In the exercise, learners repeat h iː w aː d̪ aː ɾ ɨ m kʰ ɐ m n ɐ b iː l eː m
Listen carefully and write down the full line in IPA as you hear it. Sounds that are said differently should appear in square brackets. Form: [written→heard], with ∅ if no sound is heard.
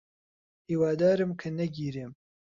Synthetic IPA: h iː w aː d̪ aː ɾ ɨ m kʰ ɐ [m→∅] n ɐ [b→ɡ] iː [l→ɾ] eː m